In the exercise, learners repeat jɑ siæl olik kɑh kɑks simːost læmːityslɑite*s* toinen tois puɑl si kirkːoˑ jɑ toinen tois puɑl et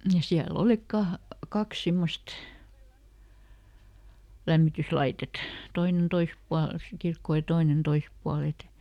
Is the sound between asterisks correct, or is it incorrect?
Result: incorrect